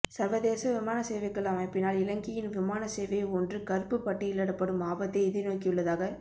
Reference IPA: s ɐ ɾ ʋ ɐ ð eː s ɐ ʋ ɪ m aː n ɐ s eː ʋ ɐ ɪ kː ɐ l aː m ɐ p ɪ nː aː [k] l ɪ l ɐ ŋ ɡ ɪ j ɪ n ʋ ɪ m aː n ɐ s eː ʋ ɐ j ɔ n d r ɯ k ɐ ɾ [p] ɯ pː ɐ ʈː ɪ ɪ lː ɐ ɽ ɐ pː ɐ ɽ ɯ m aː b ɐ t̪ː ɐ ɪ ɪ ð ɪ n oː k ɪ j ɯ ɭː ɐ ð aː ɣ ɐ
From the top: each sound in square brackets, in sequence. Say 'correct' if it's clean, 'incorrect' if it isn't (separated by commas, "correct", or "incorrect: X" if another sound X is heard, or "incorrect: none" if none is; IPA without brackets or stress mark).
incorrect: none, correct